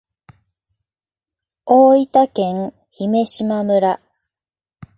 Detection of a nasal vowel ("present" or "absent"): present